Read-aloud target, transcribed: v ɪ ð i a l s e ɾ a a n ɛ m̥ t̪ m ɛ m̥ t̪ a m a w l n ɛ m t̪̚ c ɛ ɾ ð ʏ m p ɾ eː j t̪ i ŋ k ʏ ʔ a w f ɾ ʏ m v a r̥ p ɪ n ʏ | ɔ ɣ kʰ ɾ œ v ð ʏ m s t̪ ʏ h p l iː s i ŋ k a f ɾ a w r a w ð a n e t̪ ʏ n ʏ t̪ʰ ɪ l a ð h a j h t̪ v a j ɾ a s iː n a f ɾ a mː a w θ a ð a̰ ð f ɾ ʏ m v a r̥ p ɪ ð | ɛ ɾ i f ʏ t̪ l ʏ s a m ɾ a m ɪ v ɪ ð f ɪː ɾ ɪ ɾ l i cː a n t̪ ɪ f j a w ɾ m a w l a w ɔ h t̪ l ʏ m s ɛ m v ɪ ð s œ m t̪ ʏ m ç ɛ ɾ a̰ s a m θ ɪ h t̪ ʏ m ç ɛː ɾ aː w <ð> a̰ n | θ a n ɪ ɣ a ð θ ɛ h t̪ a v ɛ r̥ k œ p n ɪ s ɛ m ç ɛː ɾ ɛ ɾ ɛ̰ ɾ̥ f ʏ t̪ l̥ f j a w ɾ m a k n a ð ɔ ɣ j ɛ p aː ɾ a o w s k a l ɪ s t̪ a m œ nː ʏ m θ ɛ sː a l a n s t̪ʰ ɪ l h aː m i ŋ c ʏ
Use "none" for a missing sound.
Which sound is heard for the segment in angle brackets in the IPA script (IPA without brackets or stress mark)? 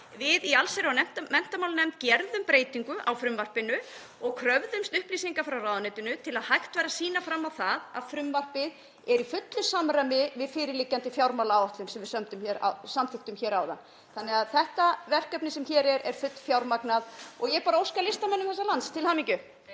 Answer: ð